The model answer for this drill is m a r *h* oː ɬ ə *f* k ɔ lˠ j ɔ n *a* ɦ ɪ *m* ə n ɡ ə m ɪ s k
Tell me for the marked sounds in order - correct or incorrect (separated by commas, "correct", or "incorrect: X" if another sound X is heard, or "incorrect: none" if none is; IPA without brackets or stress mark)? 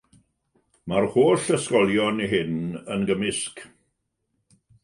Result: correct, incorrect: s, incorrect: i, incorrect: n